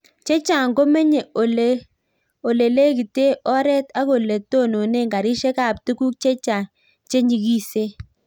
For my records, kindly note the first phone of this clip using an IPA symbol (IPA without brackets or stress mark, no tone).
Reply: t͡ʃ